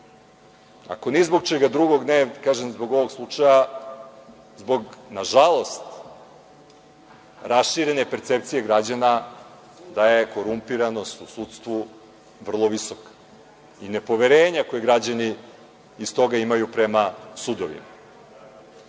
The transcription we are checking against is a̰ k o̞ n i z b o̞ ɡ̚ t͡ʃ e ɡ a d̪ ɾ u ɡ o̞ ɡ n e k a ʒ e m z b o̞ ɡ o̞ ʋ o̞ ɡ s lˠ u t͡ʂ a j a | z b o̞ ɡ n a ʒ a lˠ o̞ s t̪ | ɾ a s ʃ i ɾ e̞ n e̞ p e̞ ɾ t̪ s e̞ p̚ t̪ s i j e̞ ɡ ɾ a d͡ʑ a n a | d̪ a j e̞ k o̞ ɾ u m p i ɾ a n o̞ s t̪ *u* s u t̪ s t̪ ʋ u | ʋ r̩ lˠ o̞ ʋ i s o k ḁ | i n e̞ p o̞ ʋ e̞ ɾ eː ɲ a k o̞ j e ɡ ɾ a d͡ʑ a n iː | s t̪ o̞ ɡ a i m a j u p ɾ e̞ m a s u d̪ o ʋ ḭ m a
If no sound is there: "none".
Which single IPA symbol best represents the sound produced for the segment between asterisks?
u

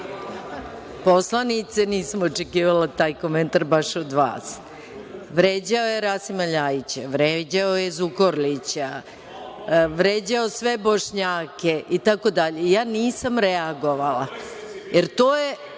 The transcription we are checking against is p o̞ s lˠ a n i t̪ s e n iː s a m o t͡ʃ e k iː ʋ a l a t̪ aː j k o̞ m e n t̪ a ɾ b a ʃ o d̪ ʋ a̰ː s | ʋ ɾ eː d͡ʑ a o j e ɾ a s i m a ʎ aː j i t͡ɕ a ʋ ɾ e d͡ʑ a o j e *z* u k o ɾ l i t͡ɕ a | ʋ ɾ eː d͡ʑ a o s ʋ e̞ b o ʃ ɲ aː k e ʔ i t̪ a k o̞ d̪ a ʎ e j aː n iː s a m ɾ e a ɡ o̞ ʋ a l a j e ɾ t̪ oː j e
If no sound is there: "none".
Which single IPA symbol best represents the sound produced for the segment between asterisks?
z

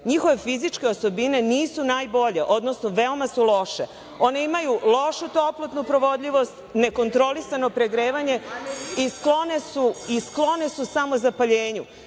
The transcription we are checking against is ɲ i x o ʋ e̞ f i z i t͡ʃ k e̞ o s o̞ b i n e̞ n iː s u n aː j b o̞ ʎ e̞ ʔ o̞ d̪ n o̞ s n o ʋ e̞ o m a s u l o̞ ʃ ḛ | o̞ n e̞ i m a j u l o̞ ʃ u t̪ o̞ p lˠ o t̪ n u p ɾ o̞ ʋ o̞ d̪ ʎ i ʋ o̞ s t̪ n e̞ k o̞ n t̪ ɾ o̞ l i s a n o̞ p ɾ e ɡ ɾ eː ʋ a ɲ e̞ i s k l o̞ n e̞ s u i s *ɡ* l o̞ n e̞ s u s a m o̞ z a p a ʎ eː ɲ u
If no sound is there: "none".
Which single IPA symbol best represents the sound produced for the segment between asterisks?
k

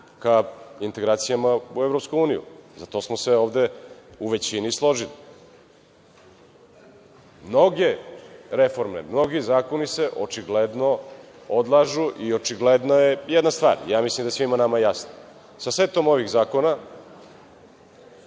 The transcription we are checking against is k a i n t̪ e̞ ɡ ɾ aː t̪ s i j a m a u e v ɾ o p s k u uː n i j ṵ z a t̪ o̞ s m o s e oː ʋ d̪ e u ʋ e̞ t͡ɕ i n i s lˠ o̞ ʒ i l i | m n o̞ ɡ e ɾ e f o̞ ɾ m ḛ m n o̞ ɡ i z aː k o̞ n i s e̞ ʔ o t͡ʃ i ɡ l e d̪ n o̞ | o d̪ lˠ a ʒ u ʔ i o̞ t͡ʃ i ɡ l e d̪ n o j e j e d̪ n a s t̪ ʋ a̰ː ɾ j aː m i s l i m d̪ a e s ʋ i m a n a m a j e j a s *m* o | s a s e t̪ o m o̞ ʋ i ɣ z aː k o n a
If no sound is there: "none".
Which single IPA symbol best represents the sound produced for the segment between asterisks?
n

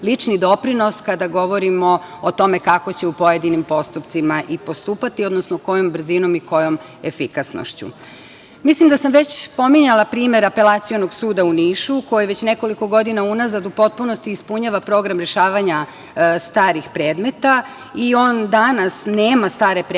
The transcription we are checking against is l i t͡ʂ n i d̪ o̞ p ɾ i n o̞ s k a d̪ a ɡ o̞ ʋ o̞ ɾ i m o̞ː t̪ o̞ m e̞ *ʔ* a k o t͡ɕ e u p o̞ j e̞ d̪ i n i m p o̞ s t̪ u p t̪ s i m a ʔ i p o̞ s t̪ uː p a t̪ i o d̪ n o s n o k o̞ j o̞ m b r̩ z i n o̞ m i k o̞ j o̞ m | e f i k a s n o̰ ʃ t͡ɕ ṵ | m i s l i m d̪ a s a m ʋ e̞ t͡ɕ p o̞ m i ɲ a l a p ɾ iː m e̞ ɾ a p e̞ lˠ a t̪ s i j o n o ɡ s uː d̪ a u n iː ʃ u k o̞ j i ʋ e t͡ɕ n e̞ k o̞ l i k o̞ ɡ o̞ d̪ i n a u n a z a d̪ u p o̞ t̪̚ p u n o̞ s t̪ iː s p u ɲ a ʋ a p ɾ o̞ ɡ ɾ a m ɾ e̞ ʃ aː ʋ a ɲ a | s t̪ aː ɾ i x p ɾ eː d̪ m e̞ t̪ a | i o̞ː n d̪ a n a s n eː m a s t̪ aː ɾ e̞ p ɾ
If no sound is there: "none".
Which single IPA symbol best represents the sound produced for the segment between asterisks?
k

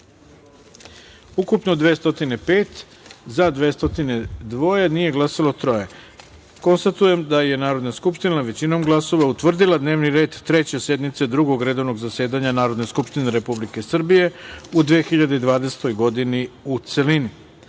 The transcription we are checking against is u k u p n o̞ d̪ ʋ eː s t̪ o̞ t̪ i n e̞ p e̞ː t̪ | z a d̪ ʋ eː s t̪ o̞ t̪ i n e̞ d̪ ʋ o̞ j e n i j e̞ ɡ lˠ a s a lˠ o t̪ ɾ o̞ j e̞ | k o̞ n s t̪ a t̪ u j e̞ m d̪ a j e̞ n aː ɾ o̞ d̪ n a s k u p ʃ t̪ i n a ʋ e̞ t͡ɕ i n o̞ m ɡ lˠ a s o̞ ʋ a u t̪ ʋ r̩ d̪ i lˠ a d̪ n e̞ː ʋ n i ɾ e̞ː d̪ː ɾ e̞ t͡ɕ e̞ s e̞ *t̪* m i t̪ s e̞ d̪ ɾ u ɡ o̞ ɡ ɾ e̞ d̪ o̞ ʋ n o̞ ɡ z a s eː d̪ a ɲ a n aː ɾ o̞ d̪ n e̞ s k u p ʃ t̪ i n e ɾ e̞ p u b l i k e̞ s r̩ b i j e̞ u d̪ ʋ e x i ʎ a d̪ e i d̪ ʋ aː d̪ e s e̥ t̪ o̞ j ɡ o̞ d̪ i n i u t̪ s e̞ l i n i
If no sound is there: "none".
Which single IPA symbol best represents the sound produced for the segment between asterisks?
d̪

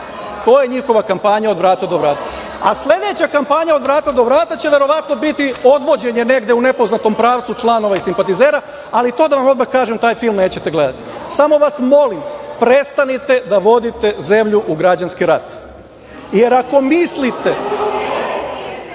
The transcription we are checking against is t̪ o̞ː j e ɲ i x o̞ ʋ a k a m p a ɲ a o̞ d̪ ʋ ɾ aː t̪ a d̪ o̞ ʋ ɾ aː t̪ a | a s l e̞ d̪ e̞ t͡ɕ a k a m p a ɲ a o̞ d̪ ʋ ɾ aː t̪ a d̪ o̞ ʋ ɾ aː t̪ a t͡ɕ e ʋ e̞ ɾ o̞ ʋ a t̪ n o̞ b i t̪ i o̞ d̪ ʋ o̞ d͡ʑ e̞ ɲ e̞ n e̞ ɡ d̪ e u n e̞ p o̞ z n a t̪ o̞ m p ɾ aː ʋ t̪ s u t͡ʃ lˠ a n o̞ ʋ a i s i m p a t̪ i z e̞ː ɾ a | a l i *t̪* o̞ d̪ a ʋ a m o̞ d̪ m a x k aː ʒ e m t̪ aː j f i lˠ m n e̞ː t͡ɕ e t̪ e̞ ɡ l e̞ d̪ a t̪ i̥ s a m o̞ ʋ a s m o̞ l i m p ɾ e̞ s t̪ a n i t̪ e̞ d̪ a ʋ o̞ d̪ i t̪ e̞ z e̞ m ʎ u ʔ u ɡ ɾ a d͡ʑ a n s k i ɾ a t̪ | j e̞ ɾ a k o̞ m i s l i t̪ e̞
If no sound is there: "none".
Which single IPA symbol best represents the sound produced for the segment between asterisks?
t̪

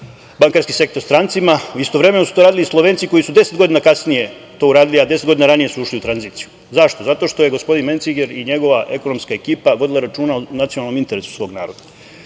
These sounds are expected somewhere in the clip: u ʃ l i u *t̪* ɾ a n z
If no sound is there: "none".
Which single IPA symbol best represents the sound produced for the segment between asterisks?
t̪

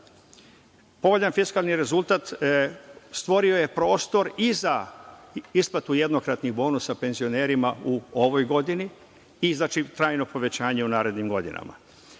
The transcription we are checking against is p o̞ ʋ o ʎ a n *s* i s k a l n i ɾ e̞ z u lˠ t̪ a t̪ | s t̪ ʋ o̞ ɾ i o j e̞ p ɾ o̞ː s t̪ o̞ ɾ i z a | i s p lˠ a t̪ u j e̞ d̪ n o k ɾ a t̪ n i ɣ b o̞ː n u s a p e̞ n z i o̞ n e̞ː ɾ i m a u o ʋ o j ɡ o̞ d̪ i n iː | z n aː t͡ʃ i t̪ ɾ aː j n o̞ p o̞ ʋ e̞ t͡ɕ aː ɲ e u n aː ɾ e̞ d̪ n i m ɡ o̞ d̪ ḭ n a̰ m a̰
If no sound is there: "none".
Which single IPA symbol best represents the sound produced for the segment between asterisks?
f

